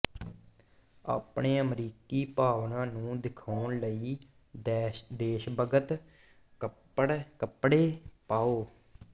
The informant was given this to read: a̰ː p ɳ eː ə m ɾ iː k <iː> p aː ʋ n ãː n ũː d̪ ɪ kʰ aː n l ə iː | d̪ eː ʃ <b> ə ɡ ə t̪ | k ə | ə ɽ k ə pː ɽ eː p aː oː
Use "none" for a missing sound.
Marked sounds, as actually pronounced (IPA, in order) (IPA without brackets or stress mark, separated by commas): iː, b